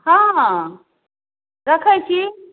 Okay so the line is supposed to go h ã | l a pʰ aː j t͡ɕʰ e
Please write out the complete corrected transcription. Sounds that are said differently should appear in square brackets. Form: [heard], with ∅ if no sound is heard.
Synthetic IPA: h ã | [ɾ] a [kʰ] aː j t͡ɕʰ [i]